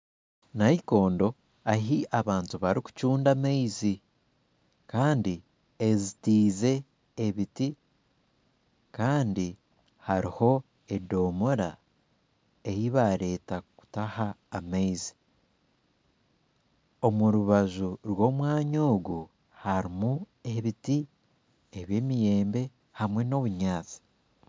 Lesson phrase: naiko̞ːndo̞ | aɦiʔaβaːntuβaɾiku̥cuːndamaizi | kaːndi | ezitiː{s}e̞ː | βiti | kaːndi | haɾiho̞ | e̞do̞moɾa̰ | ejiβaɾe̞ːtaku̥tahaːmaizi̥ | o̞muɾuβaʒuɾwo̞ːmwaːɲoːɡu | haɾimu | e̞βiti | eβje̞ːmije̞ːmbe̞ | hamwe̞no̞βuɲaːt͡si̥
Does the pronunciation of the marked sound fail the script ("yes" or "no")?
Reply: yes